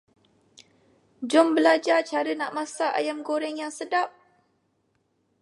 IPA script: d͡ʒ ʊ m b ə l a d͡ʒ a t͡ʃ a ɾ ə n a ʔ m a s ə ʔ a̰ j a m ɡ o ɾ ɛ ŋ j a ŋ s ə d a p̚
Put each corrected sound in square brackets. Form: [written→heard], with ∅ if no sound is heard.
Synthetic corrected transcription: d͡ʒ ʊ m b ə l a d͡ʒ a t͡ʃ a ɾ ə n a ʔ m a s [ə→a] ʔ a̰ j a m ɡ o ɾ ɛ ŋ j a ŋ s ə d a p̚